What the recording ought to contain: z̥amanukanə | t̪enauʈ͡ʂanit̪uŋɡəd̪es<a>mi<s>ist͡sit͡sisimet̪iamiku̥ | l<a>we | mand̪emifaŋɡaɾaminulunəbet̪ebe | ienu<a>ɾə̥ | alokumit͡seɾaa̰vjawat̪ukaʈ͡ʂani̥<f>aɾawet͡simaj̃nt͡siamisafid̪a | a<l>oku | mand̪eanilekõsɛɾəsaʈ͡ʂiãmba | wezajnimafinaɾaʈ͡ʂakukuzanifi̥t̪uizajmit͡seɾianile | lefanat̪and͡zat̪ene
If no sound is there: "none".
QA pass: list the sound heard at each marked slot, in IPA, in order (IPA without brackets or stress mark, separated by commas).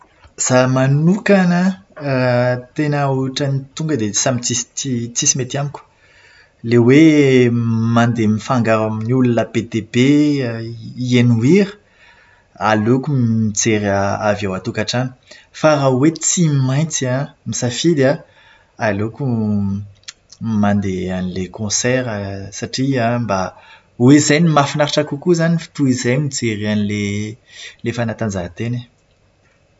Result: a, t͡s, e, i, f, l